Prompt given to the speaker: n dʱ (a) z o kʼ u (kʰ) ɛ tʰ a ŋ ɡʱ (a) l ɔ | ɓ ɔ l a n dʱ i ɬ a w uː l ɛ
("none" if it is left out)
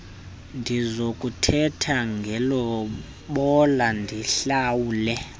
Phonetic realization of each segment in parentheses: i, tʰ, ɛ

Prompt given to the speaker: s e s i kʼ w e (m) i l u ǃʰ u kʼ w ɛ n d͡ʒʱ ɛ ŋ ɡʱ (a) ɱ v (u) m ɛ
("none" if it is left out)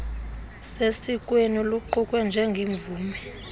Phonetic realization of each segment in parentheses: n, i, uː

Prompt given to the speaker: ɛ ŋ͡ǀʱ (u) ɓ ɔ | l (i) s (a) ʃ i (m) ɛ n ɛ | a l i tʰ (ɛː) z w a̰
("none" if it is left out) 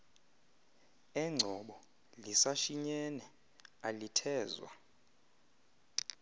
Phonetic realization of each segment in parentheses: ɔ, i, a, ɲ, ɛː

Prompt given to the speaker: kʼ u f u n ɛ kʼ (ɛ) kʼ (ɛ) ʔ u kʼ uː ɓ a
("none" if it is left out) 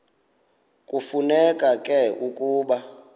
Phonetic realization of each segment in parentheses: a, ɛ

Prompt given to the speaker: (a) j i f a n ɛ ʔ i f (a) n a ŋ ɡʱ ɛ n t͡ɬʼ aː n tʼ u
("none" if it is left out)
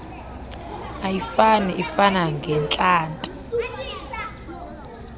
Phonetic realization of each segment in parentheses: a, a

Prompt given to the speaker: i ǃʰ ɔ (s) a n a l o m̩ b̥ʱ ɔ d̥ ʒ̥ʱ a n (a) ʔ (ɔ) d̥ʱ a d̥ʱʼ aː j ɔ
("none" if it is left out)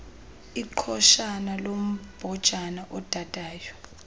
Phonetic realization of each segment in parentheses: ʃ, a, ɔ

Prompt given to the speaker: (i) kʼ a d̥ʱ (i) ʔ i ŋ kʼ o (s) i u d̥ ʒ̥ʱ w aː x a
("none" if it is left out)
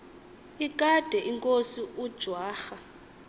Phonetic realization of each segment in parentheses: i, ɛ, s

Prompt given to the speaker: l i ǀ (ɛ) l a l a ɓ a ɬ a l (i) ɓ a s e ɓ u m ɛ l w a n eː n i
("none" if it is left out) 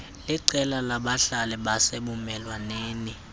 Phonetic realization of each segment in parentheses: ɛ, ɛ

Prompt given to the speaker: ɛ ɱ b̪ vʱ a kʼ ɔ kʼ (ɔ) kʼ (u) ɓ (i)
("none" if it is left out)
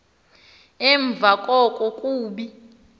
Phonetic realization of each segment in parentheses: ɔ, uː, i

